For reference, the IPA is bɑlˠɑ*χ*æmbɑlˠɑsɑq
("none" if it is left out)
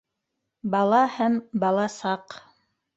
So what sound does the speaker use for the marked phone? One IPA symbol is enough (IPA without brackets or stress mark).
h